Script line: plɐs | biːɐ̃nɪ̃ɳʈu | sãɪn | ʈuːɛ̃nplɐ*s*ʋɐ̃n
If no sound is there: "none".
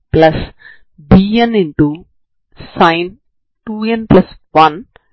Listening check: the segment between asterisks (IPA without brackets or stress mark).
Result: s